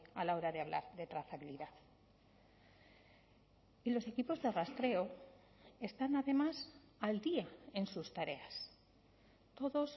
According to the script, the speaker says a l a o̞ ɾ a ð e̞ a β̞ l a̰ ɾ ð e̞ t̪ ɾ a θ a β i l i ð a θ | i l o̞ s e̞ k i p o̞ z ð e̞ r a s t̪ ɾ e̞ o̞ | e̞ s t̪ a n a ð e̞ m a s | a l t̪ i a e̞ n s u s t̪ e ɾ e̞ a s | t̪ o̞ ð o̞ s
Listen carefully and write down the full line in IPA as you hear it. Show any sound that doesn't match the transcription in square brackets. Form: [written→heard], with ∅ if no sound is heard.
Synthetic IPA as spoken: a l a o̞ ɾ a ð e̞ a β̞ l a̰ ɾ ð e̞ t̪ ɾ a θ a β i l i ð a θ | i l o̞ s e̞ k i p o̞ z ð e̞ r a s t̪ ɾ e̞ o̞ | e̞ s t̪ a n a ð e̞ m a s | a l [t̪→d̪] i a e̞ n s u s t̪ [e→a] ɾ e̞ a s | t̪ o̞ ð o̞ s